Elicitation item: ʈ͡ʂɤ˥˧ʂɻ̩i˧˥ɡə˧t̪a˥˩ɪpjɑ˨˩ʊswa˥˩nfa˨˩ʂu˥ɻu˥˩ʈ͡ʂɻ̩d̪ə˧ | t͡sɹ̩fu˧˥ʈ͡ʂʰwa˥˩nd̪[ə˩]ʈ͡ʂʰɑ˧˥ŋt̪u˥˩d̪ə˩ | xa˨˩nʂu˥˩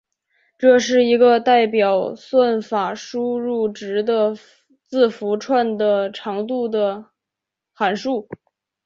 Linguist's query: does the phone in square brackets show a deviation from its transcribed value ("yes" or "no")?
no